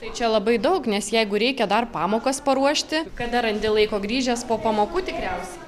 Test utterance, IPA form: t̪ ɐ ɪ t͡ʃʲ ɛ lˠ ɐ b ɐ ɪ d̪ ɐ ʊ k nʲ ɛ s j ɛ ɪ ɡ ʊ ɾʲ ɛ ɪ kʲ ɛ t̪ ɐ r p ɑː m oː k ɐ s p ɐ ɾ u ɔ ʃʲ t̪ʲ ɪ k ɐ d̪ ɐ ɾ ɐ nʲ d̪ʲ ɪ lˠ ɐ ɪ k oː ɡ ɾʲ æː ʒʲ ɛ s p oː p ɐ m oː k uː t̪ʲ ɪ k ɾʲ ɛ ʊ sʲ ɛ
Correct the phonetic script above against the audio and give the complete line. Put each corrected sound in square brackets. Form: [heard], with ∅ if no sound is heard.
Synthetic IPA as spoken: t̪ ɐ ɪ t͡ʃʲ ɛ lˠ ɐ b ɐ ɪ d̪ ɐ ʊ k nʲ ɛ s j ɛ ɪ ɡ ʊ ɾʲ ɛ ɪ kʲ ɛ [d̪] ɐ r p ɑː m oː k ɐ s p ɐ ɾ u ɔ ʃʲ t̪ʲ ɪ k ɐ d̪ ɐ ɾ ɐ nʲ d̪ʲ ɪ lˠ ɐ ɪ k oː ɡ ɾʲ [iː] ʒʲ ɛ s p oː p ɐ m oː k uː t̪ʲ ɪ k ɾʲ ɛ ʊ sʲ ɛ

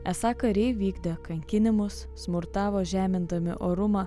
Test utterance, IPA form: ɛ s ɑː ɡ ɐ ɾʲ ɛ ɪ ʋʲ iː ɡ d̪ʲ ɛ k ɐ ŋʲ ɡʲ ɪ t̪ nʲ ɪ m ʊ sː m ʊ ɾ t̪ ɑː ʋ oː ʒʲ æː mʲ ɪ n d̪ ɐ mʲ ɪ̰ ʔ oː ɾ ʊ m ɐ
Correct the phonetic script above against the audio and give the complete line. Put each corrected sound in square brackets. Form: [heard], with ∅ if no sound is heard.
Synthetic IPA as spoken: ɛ s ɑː [k] ɐ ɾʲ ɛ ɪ ʋʲ iː ɡ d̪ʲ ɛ k ɐ ŋʲ [kʲ] ɪ [∅] nʲ ɪ m ʊ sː m ʊ ɾ t̪ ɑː ʋ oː ʒʲ æː mʲ ɪ n d̪ ɐ mʲ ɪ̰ ʔ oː ɾ ʊ m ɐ

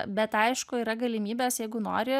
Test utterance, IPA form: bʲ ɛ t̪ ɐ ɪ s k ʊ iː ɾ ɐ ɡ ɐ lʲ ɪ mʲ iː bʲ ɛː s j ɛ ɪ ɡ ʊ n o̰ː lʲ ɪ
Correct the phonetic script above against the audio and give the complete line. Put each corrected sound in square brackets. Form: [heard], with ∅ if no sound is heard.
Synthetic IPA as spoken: bʲ ɛ t̪ ɐ ɪ [ʃ] k ʊ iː ɾ ɐ ɡ ɐ lʲ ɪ mʲ iː bʲ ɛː s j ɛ ɪ ɡ ʊ n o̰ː [ɾʲ] ɪ

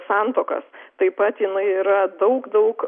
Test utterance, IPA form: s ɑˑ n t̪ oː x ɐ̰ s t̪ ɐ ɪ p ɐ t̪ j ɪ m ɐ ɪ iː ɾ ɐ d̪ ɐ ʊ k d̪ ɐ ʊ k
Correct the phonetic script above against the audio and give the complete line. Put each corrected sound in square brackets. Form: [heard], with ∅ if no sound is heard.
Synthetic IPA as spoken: s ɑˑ n t̪ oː [k] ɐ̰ s t̪ ɐ ɪ p ɐ t̪ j ɪ [n] ɐ ɪ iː ɾ ɐ d̪ ɐ ʊ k d̪ ɐ ʊ k

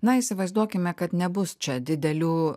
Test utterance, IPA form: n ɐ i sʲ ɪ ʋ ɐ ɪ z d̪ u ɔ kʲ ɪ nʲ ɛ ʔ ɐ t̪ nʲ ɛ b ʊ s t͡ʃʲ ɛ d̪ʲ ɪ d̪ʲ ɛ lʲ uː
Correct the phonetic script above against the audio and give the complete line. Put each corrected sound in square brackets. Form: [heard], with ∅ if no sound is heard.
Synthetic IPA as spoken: n ɐ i sʲ ɪ ʋ ɐ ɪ z d̪ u ɔ kʲ ɪ [mʲ] ɛ [k] ɐ t̪ nʲ ɛ b ʊ s t͡ʃʲ ɛ d̪ʲ ɪ d̪ʲ ɛ lʲ uː

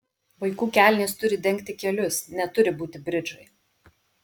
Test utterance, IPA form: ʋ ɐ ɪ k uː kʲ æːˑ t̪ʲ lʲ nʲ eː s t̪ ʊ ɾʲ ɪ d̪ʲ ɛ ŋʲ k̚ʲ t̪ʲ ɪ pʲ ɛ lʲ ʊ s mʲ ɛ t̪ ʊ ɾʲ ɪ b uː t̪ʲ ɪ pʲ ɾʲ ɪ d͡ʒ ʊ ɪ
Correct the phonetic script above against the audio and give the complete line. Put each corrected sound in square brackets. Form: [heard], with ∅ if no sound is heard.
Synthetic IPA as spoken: ʋ ɐ ɪ k uː kʲ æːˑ [∅] lʲ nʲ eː s t̪ ʊ ɾʲ ɪ d̪ʲ ɛ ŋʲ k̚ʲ t̪ʲ ɪ [kʲ] ɛ lʲ ʊ s [nʲ] ɛ t̪ ʊ ɾʲ ɪ b uː t̪ʲ ɪ [bʲ] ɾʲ ɪ d͡ʒ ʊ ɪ

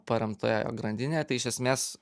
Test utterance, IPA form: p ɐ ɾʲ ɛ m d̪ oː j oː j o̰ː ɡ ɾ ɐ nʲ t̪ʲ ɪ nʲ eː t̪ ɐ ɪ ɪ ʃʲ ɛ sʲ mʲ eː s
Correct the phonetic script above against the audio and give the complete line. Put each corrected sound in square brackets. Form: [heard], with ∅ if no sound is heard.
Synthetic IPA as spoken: p ɐ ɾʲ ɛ m [t̪] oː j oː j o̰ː ɡ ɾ ɐ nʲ [d̪ʲ] ɪ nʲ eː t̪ ɐ ɪ ɪ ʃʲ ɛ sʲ mʲ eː s

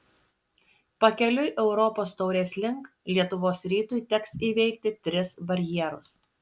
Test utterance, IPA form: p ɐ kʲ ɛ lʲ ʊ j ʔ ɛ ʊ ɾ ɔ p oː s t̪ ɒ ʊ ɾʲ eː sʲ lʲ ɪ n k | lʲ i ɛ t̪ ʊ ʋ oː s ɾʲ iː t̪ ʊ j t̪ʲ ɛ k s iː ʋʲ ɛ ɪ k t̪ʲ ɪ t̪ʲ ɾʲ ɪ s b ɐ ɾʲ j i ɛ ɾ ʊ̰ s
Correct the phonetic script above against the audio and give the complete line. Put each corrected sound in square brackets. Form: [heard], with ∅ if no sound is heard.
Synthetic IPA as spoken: p ɐ kʲ ɛ lʲ ʊ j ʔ ɛ ʊ ɾ ɔ p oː s t̪ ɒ ʊ ɾʲ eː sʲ lʲ ɪ [ŋ] k | lʲ i ɛ t̪ ʊ ʋ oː s ɾʲ iː t̪ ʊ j t̪ʲ ɛ k s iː ʋʲ ɛ ɪ k t̪ʲ ɪ t̪ʲ ɾʲ ɪ s b ɐ ɾʲ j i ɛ ɾ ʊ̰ s

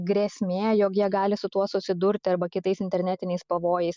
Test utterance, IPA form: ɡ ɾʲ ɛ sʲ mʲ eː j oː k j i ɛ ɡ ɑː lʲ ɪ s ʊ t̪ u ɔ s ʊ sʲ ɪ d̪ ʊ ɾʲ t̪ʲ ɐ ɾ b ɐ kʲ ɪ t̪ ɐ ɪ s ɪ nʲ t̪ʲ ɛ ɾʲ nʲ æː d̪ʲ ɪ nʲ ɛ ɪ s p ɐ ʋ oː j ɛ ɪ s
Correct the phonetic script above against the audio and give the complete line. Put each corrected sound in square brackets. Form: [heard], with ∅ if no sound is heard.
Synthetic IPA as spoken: ɡ ɾʲ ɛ sʲ mʲ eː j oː k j i ɛ ɡ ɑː lʲ ɪ s ʊ t̪ u ɔ s ʊ sʲ ɪ d̪ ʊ ɾʲ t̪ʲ ɐ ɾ b ɐ kʲ ɪ t̪ ɐ ɪ s ɪ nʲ t̪ʲ ɛ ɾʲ nʲ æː [t̪ʲ] ɪ nʲ ɛ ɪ s p ɐ ʋ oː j ɛ ɪ s

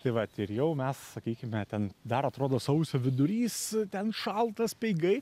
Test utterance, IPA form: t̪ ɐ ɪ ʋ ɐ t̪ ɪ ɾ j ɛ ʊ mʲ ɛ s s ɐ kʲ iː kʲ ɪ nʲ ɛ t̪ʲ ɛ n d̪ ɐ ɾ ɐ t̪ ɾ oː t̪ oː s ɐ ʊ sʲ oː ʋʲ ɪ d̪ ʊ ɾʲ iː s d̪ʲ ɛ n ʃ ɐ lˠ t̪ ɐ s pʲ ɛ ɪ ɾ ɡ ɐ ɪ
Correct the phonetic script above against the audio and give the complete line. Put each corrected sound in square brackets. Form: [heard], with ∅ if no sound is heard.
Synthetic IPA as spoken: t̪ ɐ ɪ ʋ ɐ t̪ ɪ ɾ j ɛ ʊ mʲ ɛ s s ɐ kʲ iː kʲ ɪ [mʲ] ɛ t̪ʲ ɛ n d̪ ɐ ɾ ɐ t̪ ɾ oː [d̪] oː s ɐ ʊ sʲ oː ʋʲ ɪ d̪ ʊ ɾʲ iː s [t̪ʲ] ɛ n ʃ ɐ lˠ t̪ ɐ s pʲ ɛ ɪ [∅] ɡ ɐ ɪ

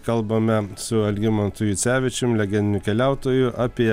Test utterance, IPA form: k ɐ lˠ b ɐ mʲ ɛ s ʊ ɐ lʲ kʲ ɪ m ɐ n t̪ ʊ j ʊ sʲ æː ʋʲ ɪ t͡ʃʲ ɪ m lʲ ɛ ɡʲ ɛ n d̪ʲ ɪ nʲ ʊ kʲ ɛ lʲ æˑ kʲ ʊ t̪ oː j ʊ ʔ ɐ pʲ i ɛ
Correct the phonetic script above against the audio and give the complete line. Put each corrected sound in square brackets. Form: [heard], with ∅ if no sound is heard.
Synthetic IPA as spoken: k ɐ lˠ b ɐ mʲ ɛ s ʊ ɐ lʲ [ɡʲ] ɪ m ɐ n t̪ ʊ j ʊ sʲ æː ʋʲ ɪ t͡ʃʲ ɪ m lʲ ɛ ɡʲ ɛ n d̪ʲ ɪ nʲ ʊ kʲ ɛ lʲ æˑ [∅] ʊ t̪ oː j ʊ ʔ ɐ pʲ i ɛ

